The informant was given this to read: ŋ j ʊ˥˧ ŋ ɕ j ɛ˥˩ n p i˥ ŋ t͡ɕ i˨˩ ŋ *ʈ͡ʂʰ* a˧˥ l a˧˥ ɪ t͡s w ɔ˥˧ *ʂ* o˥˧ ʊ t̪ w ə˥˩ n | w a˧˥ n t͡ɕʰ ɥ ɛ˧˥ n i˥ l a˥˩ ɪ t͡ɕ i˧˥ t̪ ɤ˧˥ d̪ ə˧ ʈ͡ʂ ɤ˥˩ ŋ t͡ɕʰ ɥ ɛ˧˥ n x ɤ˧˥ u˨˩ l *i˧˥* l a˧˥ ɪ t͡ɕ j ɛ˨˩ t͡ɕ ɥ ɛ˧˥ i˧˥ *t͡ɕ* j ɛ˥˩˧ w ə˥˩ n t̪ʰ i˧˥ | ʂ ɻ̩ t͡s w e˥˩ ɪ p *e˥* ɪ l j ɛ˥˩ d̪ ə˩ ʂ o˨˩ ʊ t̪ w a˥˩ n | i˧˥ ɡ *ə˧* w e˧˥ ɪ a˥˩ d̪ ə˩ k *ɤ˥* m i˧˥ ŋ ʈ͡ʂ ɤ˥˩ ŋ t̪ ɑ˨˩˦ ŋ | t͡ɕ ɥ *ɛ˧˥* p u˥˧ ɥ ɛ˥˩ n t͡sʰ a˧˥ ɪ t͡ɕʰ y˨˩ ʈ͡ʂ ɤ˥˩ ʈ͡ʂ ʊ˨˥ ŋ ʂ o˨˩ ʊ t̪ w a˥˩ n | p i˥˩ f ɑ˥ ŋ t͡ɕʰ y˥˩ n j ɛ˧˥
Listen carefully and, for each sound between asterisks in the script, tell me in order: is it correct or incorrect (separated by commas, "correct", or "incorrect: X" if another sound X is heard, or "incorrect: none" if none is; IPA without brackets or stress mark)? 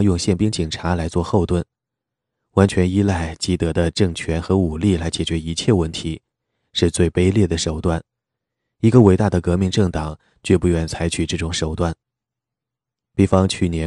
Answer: correct, incorrect: x, incorrect: i˥˩, incorrect: t͡ɕʰ, correct, correct, incorrect: ɤ˧˥, incorrect: ɛ˥˧